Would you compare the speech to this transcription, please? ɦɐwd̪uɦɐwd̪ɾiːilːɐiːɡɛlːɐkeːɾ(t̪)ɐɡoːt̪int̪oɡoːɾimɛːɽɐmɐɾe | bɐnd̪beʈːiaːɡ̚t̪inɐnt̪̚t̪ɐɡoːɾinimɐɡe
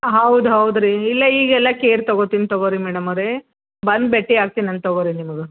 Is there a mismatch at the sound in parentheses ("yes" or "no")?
no